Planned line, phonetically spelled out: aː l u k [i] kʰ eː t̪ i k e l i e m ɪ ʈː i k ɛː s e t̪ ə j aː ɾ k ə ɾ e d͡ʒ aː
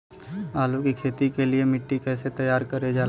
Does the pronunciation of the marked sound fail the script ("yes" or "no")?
no